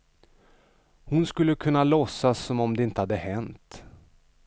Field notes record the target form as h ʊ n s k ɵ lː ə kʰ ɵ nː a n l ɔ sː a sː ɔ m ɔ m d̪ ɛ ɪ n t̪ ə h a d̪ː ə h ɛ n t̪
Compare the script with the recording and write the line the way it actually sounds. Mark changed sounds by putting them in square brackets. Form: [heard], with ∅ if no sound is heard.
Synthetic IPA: h ʊ n s k ɵ lː ə kʰ ɵ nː a [∅] l ɔ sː a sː ɔ m ɔ m d̪ ɛ ɪ n t̪ ə h a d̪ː ə h ɛ n t̪